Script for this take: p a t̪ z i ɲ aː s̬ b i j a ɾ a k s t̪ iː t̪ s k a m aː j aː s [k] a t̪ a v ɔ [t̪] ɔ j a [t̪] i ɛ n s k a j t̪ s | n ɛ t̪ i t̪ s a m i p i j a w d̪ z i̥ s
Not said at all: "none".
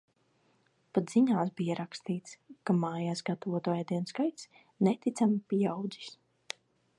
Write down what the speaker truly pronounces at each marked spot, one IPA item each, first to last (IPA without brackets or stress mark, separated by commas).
ɡ, t̪, d̪